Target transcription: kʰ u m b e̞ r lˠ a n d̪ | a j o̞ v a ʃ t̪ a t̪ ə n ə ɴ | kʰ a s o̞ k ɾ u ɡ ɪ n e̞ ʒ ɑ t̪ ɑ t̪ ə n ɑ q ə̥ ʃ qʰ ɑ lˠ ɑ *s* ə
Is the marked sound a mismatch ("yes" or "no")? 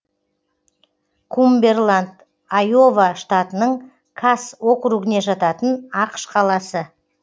no